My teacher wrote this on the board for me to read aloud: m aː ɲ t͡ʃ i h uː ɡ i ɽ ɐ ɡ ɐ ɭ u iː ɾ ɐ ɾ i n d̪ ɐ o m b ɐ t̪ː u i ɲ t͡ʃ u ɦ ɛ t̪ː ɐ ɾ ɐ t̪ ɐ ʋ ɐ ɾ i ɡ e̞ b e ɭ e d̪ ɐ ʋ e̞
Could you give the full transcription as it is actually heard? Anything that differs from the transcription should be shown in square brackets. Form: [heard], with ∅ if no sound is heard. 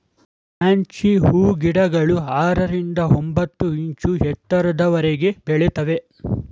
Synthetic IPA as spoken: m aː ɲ t͡ʃ i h uː ɡ i ɽ ɐ ɡ ɐ ɭ u [aː] ɾ ɐ ɾ i n d̪ ɐ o m b ɐ t̪ː u i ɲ t͡ʃ u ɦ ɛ t̪ː ɐ ɾ ɐ [d̪] ɐ ʋ ɐ ɾ [e] ɡ e̞ b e ɭ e [t̪] ɐ ʋ e̞